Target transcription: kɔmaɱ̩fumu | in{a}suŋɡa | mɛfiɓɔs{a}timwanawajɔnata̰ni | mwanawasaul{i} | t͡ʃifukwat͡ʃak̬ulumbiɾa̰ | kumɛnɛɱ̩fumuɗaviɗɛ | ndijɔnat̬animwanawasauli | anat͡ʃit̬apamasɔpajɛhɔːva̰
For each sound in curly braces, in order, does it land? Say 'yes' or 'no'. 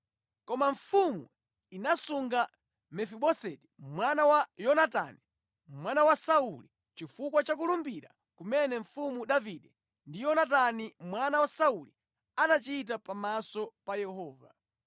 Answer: yes, no, yes

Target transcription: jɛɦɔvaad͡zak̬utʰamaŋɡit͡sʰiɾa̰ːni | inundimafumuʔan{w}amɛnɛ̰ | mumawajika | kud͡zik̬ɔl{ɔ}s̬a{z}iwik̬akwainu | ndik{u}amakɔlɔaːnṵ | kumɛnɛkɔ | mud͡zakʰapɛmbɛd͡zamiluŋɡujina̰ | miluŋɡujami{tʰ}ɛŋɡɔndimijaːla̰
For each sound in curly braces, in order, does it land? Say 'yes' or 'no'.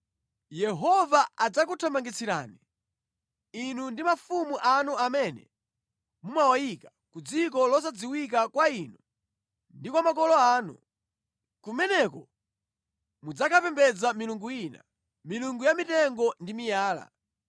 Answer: no, yes, no, no, no

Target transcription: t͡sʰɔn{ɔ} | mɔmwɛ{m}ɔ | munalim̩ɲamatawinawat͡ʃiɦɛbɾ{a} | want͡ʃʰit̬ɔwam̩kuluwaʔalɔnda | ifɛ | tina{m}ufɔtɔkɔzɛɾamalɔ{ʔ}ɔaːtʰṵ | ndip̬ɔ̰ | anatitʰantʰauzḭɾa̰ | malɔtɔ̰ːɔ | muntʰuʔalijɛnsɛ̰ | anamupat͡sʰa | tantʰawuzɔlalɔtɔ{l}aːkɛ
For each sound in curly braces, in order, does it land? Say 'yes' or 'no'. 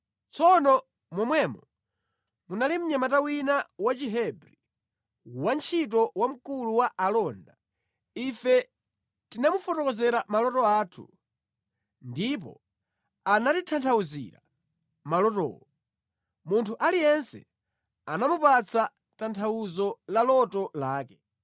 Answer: yes, yes, no, yes, no, yes

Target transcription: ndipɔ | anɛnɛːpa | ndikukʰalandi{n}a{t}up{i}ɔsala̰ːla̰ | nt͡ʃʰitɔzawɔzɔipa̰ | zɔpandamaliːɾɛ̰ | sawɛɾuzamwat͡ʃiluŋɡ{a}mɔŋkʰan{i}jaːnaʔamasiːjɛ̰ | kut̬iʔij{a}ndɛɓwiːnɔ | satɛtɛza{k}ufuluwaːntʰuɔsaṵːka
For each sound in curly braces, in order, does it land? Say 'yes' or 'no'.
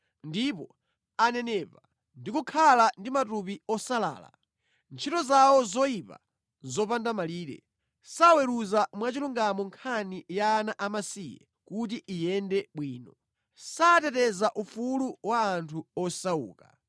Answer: no, yes, yes, yes, yes, no, no

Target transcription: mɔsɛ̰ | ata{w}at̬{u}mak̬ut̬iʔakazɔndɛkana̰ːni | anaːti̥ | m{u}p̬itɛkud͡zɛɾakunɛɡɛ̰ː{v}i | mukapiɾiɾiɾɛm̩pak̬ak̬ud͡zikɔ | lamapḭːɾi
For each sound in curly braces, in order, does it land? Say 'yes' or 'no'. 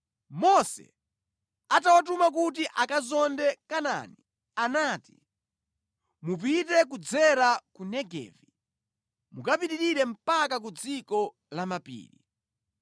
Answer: yes, yes, yes, yes

